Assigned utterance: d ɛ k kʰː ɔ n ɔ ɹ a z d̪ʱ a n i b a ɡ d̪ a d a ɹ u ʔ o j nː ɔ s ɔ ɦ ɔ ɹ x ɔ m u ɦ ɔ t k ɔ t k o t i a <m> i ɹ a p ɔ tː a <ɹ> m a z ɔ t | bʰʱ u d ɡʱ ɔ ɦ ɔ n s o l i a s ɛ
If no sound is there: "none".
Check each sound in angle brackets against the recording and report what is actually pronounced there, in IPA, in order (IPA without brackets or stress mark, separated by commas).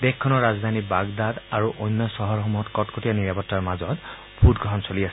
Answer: n, ɹ